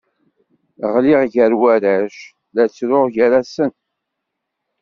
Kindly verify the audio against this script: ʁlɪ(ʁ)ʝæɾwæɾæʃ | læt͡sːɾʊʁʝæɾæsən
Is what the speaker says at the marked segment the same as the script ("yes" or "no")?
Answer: yes